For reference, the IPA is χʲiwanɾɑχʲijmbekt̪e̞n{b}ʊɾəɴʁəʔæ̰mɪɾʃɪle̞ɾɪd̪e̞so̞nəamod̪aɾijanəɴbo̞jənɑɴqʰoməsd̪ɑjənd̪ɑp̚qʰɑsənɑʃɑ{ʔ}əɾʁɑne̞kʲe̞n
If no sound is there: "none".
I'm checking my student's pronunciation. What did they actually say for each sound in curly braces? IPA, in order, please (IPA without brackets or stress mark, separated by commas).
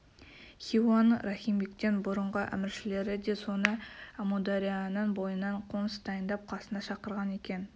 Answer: b, q